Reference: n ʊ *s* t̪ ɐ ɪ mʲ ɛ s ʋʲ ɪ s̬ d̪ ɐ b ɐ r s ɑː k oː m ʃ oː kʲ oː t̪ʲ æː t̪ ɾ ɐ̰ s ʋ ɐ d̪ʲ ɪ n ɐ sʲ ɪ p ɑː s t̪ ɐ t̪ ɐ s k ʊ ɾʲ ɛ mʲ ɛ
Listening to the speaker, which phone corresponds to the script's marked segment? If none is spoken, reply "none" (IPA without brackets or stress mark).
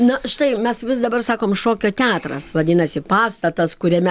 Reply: ʃ